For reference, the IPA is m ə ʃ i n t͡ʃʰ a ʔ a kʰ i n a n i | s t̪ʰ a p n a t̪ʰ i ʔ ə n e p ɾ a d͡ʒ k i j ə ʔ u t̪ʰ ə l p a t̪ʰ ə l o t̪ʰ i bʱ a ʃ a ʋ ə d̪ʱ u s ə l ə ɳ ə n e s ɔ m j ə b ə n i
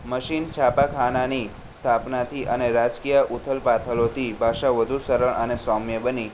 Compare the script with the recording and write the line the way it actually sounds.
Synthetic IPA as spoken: m ə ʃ i n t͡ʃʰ a p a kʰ a n a n i | s t̪ʰ a p n a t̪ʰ i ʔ ə n e ɾ a d͡ʒ k i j ə ʔ u t̪ʰ ə l p a t̪ʰ ə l o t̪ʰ i bʱ a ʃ a ʋ ə d̪ʱ u s ə ɾ ə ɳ ə n e s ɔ m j ə b ə n i